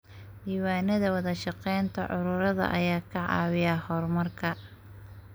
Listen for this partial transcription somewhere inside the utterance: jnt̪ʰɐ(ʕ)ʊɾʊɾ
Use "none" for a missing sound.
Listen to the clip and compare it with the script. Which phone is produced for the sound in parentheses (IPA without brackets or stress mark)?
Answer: ʕ